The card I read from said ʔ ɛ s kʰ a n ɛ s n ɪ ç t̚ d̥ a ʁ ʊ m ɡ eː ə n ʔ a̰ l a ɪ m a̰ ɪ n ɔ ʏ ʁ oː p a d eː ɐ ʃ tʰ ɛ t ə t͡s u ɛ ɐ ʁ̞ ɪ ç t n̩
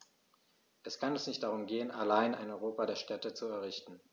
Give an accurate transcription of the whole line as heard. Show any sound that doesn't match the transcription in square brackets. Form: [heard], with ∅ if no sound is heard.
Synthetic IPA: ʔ ɛ s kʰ a n ɛ s n ɪ ç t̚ d̥ a ʁ ʊ m ɡ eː ə n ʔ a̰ l a ɪ [n] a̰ ɪ n ɔ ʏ ʁ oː p a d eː ɐ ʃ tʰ ɛ t ə t͡s u ɛ ɐ ʁ̞ ɪ ç t n̩